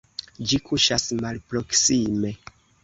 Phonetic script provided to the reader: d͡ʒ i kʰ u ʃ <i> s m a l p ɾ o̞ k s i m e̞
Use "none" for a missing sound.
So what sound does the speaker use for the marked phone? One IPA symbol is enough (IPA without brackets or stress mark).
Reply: a